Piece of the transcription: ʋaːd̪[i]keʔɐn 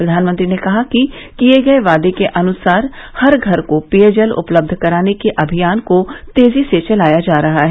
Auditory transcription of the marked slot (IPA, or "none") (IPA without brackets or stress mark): e